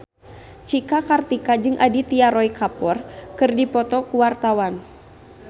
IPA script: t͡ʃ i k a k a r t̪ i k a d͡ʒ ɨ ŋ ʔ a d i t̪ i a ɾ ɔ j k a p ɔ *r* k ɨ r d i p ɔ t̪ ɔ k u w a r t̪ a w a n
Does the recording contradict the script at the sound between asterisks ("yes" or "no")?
no